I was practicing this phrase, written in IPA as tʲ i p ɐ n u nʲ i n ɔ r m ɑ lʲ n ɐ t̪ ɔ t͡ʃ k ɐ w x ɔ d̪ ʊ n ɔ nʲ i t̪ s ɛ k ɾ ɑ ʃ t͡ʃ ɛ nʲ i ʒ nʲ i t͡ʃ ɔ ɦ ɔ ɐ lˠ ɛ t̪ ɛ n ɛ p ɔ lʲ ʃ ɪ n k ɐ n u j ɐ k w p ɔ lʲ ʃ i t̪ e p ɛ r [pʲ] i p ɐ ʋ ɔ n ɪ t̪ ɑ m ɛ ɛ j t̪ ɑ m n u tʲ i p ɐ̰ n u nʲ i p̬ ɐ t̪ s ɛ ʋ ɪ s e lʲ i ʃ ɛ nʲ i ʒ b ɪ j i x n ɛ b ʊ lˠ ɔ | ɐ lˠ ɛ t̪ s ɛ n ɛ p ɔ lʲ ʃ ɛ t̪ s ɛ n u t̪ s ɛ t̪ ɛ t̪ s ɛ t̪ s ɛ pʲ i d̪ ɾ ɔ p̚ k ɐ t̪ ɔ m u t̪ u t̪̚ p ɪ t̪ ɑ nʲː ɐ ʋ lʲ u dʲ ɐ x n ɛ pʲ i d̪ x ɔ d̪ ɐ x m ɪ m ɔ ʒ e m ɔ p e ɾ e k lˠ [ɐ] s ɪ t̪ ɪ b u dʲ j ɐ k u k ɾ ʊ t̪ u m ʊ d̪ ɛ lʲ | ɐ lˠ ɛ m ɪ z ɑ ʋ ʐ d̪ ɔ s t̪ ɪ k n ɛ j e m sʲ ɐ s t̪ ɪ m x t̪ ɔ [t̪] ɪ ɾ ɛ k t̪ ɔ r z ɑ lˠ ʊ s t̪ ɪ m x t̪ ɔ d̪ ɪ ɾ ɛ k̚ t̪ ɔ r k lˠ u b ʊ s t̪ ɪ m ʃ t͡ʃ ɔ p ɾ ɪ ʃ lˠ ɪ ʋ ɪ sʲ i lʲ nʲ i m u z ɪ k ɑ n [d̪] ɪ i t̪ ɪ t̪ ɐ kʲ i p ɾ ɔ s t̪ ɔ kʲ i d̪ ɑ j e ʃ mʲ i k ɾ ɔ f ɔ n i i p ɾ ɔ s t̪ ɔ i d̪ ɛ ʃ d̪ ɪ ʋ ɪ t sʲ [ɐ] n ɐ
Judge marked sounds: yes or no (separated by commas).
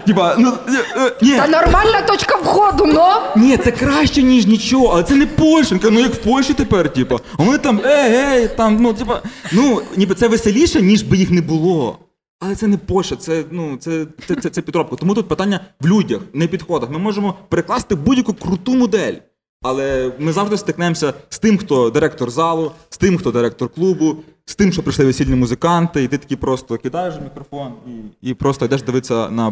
no, no, no, no, yes